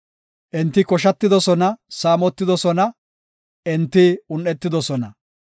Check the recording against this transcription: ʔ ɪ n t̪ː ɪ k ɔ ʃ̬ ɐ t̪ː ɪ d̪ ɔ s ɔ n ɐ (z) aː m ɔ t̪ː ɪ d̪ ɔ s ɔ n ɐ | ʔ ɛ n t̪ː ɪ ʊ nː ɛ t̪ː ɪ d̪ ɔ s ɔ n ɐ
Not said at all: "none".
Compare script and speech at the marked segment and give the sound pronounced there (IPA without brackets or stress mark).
s